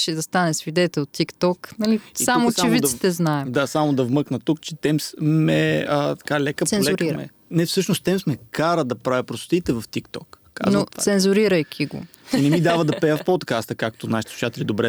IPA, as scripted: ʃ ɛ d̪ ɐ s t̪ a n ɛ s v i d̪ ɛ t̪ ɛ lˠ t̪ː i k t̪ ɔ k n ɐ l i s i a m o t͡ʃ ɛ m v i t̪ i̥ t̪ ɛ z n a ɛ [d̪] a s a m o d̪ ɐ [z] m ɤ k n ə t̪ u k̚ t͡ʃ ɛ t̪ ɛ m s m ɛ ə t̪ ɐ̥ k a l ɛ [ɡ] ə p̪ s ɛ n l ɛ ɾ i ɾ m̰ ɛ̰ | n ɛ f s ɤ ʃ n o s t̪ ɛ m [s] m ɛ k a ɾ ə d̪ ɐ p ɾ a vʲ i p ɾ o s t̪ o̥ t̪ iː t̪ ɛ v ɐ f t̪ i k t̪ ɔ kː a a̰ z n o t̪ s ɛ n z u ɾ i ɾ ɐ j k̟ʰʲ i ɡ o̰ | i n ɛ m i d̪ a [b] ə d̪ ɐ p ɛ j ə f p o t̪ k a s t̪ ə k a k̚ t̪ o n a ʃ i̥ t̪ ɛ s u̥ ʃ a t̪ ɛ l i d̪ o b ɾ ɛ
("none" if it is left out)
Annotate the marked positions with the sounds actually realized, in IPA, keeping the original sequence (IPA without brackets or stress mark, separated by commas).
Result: d̪, v, k, s, v